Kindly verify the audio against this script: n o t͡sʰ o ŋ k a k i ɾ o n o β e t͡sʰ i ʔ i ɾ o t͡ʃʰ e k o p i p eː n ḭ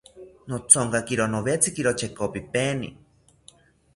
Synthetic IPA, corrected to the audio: n o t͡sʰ o ŋ k a k i ɾ o n o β e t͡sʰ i k i ɾ o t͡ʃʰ e k o p i p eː n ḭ